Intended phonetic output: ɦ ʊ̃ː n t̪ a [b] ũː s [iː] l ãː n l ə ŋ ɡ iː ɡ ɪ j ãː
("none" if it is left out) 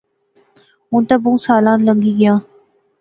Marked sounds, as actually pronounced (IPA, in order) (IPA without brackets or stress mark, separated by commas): b, aː